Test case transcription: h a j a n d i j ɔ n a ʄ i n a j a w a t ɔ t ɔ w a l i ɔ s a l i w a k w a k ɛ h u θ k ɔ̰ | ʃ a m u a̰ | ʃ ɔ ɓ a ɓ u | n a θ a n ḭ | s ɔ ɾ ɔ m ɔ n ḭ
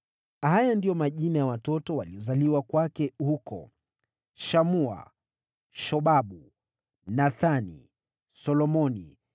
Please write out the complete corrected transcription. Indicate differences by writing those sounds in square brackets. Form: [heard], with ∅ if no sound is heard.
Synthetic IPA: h a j a n d i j ɔ [m] a ʄ i n a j a w a t ɔ t ɔ w a l i ɔ [z] a l i w a k w a k ɛ h u [∅] k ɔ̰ | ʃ a m u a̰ | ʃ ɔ ɓ a ɓ u | n a θ a n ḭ | s ɔ [l] ɔ m ɔ n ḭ